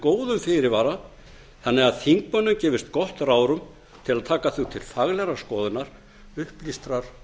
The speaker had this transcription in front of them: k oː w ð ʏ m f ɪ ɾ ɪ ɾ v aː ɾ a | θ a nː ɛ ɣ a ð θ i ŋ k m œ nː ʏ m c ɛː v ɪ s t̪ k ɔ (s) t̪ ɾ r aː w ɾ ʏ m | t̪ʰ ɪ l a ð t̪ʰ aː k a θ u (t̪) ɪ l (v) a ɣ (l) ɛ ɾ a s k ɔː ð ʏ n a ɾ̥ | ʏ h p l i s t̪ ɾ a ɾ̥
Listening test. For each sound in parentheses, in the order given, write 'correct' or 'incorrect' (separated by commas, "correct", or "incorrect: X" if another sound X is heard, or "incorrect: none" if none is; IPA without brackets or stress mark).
incorrect: h, incorrect: t̪ʰ, incorrect: f, correct